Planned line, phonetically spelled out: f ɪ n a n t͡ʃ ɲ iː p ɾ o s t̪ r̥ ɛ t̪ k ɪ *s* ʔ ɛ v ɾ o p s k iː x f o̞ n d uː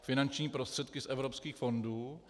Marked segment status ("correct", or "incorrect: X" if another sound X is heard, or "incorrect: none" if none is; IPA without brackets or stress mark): correct